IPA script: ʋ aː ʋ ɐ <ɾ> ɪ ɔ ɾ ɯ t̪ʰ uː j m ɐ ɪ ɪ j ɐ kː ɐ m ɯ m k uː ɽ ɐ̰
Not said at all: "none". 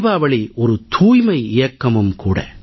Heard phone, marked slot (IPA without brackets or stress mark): ɭ